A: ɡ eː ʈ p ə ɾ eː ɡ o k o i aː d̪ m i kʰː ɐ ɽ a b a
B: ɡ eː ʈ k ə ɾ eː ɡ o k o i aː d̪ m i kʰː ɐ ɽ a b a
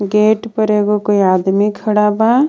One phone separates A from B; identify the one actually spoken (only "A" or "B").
A